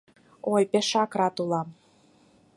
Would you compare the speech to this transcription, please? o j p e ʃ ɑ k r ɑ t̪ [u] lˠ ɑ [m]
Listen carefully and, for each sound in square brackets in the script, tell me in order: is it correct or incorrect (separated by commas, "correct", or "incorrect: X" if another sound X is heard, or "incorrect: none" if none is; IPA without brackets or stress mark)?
correct, correct